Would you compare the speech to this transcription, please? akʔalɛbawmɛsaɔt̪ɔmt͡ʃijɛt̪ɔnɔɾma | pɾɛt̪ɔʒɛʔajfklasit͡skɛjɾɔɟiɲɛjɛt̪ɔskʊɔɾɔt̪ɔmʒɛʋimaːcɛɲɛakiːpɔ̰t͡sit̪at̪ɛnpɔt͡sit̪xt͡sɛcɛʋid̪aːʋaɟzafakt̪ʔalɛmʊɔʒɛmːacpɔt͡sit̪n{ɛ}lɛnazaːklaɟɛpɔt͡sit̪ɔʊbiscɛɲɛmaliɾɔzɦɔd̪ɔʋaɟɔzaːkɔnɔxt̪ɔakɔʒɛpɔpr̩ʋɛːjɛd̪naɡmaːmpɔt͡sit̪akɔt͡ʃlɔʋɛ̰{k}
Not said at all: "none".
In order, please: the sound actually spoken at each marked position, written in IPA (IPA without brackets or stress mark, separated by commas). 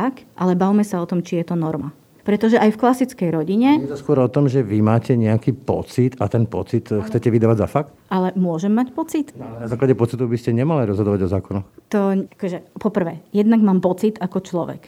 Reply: a, k